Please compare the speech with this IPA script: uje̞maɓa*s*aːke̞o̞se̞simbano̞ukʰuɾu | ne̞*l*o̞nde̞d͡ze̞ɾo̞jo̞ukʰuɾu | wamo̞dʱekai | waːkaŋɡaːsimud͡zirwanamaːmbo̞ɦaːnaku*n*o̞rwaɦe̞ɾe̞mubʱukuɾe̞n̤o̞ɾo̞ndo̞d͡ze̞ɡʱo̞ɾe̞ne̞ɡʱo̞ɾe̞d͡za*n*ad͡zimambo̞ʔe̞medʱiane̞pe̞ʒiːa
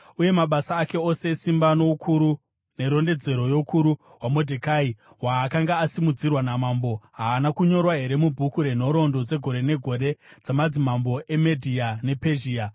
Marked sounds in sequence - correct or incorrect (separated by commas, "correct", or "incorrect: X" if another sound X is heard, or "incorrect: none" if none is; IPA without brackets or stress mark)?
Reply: correct, incorrect: ɾ, incorrect: ɲ, incorrect: m